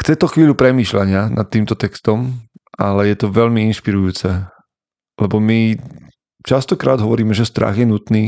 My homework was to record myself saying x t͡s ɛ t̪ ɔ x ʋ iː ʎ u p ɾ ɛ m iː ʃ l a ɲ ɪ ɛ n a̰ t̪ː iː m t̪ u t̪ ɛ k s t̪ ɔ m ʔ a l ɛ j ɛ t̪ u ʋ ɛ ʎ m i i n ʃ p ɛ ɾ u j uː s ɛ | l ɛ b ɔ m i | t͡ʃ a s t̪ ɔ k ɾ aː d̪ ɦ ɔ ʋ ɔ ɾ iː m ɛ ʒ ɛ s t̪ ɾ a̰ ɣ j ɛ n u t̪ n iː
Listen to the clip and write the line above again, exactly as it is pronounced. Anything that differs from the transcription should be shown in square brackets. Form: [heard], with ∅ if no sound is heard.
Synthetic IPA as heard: x t͡s ɛ t̪ ɔ x ʋ iː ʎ u p ɾ ɛ m iː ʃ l a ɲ ɪ [a] n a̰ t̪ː iː m t̪ [ɔ] t̪ ɛ k s t̪ ɔ m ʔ a l ɛ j ɛ t̪ [ɔ] ʋ ɛ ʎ m i i n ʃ p [i] ɾ u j uː [t͡s] ɛ | l ɛ b ɔ m i | t͡ʃ a s t̪ ɔ k ɾ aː d̪ ɦ ɔ ʋ ɔ ɾ iː m ɛ ʒ ɛ s t̪ ɾ a̰ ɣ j ɛ n u t̪ n iː